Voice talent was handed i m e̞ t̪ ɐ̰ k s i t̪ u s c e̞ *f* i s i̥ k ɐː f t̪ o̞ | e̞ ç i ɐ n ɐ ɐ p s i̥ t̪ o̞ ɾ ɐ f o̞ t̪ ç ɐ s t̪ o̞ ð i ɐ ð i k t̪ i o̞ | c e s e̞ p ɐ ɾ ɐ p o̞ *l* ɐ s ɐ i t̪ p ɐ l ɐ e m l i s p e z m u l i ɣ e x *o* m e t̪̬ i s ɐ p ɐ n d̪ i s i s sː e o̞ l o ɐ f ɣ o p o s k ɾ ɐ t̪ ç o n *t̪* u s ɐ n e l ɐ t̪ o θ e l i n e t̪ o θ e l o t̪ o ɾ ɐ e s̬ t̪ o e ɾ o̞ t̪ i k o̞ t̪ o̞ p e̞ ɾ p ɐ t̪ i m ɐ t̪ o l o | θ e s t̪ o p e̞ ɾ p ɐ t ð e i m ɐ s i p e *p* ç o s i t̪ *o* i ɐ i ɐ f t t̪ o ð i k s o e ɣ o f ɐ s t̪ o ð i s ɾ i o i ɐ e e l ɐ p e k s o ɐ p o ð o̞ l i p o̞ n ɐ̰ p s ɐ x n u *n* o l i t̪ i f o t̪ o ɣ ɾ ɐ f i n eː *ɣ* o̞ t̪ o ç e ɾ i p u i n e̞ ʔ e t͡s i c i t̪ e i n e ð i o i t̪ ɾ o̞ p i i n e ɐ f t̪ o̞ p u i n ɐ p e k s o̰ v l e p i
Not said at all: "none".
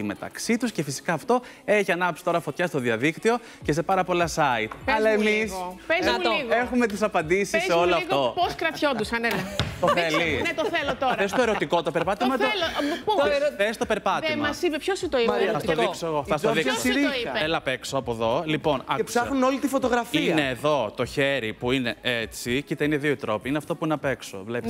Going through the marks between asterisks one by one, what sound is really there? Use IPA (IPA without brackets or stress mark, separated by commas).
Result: f, l, u, d̪, p, o, n, ð